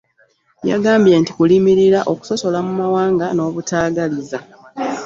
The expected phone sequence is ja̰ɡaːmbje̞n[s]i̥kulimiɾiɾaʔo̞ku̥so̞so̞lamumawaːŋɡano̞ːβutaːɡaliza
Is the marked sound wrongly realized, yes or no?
yes